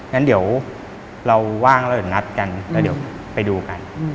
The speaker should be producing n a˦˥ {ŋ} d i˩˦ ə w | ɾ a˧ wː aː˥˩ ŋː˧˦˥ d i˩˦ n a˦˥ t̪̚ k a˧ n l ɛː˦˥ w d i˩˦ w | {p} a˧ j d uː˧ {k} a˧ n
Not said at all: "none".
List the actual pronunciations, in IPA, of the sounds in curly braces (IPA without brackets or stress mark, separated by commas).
n, p, k